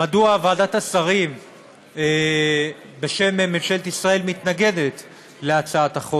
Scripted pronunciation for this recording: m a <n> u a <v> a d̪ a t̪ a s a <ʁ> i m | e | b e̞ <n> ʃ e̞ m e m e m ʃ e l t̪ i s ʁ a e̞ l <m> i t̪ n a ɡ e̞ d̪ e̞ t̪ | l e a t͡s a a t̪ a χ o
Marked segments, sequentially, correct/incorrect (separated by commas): incorrect, correct, correct, incorrect, correct